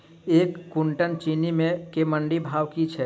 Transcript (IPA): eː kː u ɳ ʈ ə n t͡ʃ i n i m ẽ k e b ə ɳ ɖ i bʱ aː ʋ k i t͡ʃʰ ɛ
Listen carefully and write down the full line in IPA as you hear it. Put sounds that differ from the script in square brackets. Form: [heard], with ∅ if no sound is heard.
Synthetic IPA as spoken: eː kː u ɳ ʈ ə n t͡ʃ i n i m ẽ k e [m] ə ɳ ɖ i bʱ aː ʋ k i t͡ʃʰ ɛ

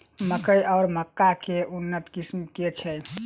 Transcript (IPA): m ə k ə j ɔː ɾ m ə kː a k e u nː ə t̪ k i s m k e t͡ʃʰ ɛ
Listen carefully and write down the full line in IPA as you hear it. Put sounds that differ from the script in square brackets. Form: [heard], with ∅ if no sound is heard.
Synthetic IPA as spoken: m ə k ə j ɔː ɾ m ə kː a k e u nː ə t̪ k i s m k e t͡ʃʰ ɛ

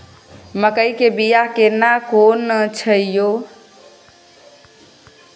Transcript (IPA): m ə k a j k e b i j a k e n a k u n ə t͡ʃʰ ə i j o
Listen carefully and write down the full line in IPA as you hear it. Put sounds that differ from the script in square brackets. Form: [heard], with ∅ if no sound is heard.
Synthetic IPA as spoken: m ə k [ə] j k e b i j a k e n a k [o] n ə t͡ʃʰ ə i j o

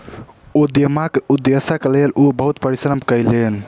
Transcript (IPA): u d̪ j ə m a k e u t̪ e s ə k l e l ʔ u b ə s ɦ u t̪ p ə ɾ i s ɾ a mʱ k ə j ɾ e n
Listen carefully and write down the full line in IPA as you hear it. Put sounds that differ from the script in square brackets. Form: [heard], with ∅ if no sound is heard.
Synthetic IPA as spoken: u d̪ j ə m a k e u [d̪] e s ə k l e l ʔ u b ə [∅] ɦ u t̪ p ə ɾ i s ɾ [ə] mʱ k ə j [l] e n

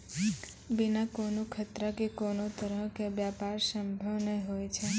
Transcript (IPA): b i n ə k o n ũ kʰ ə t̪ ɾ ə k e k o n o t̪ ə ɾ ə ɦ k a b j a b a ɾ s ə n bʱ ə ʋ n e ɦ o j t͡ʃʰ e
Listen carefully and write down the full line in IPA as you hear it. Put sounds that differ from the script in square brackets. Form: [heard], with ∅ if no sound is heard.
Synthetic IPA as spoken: b i n [a] k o n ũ kʰ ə t̪ ɾ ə k e k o n o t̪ ə ɾ ə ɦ k [e] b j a [p] a ɾ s ə [m] bʱ ə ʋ n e ɦ o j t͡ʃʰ e

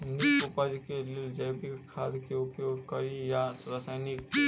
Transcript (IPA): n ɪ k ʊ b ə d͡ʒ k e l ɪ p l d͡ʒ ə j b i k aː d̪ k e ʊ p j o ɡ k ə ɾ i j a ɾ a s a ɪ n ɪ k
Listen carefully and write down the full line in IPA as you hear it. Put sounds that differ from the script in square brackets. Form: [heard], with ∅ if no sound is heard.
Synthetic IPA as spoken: n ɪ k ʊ [p] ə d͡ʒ k e l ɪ [∅] l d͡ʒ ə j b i [kʰ] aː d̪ k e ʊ p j o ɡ k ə ɾ i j a ɾ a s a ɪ n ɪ k

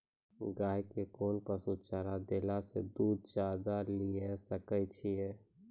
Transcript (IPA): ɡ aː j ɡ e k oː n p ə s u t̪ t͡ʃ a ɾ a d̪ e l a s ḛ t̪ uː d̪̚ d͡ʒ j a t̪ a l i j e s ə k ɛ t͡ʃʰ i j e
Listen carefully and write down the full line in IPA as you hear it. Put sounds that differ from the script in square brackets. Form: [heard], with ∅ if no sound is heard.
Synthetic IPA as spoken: ɡ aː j [k] e k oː n p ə s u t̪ t͡ʃ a ɾ a d̪ e l a s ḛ [d̪] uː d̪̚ d͡ʒ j a [d̪] a l i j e s ə k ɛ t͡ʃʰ i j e

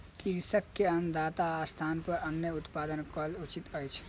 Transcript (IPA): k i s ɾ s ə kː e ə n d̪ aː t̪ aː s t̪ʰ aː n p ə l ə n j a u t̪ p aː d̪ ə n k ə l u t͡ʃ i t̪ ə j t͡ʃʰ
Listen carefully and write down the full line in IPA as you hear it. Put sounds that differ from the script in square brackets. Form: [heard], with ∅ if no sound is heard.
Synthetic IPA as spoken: k i [∅] ɾ s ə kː e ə n d̪ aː t̪ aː s t̪ʰ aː n p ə [ɾ] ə n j [ə] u t̪ p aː d̪ ə n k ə l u t͡ʃ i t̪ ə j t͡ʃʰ

